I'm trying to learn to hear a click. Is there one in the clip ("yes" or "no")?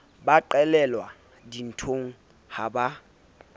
yes